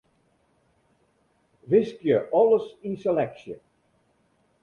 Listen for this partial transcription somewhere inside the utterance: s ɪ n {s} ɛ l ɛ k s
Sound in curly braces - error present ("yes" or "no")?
no